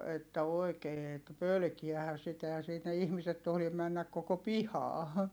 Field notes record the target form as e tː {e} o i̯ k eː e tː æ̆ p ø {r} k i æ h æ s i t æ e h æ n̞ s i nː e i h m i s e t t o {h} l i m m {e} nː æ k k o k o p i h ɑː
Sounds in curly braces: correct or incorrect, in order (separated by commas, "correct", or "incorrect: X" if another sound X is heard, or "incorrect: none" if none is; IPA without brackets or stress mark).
incorrect: æ, incorrect: l, correct, incorrect: æ